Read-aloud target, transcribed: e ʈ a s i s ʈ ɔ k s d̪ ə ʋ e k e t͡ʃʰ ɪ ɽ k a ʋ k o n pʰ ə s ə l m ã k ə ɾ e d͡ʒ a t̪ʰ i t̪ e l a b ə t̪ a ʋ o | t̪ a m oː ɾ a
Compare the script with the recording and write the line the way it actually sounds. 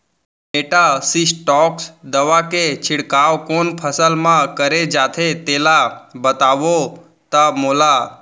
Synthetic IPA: e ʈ a s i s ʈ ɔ k s d̪ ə ʋ a k e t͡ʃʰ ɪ ɽ k a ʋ k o n pʰ ə s ə l m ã k ə ɾ e d͡ʒ a t̪ʰ e t̪ e l a b ə t̪ a ʋ o | t̪ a m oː l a